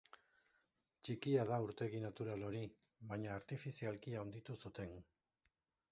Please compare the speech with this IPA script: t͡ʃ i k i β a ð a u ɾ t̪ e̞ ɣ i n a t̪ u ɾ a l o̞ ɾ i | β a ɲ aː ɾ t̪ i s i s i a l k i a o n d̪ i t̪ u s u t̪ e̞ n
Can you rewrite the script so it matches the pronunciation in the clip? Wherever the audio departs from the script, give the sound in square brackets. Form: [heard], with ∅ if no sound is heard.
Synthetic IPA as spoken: t͡ʃ i k i [∅] a ð a u ɾ t̪ e̞ ɣ i n a t̪ u ɾ a l o̞ ɾ i | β a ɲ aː ɾ t̪ i [f] i s i a l k i a o n d̪ i t̪ u s u t̪ e̞ n